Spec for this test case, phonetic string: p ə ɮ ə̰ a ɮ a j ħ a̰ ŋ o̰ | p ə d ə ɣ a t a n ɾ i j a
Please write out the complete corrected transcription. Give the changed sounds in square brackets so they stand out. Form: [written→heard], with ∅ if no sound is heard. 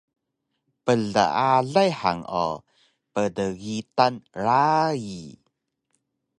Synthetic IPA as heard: p ə ɮ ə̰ a ɮ a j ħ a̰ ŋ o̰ | p ə d ə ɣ [a→i] t a n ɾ [i→a] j [a→i]